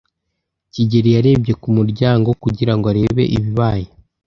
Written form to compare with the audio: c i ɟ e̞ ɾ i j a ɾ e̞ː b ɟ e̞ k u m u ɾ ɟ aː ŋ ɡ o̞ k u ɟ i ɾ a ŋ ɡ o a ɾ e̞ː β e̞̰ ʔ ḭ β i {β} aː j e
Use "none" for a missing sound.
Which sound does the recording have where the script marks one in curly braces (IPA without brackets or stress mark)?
β